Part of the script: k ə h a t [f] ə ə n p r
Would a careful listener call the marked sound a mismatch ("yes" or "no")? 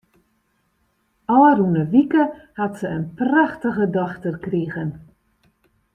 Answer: yes